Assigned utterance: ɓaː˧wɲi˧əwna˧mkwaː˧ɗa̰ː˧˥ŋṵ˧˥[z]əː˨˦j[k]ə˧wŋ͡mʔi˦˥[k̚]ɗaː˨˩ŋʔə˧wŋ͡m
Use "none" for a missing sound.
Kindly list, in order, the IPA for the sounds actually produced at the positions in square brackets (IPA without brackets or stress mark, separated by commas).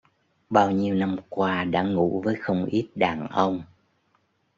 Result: v, x, t̚